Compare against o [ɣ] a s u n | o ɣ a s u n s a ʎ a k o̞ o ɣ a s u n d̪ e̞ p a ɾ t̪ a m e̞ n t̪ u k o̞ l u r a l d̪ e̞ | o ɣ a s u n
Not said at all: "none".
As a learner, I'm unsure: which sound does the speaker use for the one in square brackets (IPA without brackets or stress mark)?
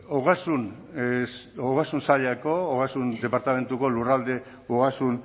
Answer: ɣ